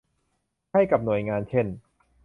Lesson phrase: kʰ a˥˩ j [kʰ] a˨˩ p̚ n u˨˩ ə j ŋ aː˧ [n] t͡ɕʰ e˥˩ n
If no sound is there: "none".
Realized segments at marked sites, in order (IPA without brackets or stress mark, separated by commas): k, n